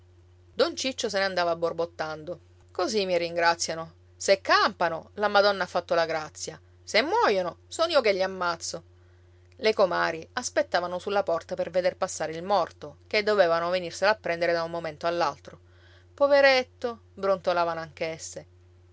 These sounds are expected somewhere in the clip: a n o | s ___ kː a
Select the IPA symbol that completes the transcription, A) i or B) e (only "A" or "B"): B